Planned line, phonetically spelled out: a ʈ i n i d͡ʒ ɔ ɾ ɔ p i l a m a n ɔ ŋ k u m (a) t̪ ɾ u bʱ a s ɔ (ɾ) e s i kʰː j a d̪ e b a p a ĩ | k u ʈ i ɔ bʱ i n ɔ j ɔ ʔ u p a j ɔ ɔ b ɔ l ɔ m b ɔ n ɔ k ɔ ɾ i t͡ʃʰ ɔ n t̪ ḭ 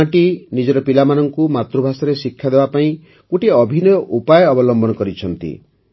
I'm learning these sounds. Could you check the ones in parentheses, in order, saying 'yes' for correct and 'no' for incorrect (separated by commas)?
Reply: yes, yes